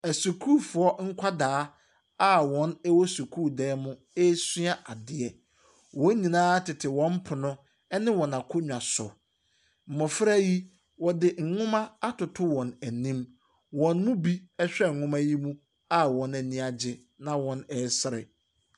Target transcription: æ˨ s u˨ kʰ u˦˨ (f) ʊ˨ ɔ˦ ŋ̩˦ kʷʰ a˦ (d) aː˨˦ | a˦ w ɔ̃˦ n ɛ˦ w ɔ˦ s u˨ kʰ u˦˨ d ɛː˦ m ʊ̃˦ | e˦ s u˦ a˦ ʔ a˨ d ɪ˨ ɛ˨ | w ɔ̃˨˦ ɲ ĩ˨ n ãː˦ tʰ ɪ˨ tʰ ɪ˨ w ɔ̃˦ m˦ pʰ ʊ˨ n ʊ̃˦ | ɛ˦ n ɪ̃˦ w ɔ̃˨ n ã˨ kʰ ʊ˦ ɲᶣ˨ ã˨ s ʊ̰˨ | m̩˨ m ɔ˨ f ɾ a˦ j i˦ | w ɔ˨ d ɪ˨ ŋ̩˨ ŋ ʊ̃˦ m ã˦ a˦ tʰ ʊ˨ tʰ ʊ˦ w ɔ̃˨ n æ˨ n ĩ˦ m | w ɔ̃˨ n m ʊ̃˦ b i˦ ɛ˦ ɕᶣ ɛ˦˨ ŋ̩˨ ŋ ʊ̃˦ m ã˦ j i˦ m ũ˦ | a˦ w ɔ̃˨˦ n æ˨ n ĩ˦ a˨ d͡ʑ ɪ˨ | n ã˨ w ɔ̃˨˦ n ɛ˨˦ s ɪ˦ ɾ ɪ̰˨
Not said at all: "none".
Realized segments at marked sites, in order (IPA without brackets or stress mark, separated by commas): f, d